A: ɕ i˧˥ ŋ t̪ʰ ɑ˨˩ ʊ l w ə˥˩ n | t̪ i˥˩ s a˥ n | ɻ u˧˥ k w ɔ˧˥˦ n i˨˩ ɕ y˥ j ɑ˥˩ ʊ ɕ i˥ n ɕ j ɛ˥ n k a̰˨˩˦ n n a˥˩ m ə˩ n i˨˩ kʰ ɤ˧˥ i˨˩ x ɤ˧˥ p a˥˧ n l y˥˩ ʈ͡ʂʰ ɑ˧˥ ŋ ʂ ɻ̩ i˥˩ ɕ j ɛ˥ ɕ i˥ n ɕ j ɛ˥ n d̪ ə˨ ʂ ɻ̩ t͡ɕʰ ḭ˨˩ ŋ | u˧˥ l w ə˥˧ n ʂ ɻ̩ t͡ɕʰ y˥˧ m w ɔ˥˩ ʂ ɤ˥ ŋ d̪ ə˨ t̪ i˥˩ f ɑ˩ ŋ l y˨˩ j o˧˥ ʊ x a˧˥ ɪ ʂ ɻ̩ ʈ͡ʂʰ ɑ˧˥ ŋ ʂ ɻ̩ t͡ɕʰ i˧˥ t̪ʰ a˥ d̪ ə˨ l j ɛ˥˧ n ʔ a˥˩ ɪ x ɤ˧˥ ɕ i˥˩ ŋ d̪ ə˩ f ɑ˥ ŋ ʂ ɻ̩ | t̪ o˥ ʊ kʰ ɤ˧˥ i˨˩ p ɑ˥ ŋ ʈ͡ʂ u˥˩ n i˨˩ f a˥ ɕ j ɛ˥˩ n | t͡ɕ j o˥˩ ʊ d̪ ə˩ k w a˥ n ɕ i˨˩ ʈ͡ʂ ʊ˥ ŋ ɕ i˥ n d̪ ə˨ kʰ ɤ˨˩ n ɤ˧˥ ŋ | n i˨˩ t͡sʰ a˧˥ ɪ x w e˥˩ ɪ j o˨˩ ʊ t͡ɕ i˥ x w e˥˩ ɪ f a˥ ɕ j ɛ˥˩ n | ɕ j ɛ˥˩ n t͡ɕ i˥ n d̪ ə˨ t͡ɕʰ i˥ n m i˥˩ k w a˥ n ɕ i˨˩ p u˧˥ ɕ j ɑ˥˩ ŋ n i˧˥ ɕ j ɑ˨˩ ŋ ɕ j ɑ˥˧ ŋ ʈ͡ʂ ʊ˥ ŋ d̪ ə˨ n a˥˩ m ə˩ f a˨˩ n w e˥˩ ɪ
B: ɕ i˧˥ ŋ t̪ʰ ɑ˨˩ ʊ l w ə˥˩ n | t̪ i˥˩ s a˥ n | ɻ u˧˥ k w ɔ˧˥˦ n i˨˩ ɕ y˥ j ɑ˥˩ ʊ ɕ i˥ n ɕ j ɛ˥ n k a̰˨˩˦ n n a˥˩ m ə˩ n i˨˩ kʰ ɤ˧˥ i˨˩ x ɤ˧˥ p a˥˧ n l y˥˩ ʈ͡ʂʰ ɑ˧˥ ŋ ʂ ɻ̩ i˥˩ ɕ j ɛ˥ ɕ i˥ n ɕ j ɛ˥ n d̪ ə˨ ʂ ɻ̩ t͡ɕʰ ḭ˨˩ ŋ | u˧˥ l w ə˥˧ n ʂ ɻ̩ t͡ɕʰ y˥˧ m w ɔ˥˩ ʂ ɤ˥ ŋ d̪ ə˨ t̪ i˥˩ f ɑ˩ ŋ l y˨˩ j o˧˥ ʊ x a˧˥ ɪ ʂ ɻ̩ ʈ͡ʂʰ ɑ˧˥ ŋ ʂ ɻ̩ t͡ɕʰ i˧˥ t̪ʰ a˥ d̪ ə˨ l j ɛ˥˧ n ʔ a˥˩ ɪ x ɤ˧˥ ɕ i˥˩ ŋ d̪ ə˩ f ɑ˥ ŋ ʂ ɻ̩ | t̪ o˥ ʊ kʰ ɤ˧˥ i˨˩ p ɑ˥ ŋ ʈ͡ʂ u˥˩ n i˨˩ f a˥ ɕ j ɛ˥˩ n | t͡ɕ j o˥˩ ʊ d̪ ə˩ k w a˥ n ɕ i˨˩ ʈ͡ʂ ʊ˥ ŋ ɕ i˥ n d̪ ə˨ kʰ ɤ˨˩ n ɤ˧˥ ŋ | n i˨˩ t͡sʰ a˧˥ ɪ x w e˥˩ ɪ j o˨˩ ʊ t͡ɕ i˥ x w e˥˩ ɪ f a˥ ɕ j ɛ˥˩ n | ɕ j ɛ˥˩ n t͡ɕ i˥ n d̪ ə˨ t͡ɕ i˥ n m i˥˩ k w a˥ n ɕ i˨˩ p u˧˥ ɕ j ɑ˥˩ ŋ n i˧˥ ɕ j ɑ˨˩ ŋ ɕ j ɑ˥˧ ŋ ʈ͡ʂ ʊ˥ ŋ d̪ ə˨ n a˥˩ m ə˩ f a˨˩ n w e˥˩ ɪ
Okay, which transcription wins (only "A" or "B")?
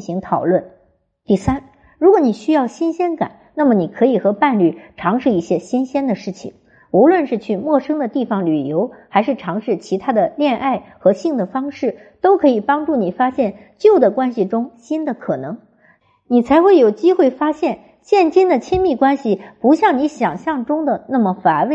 A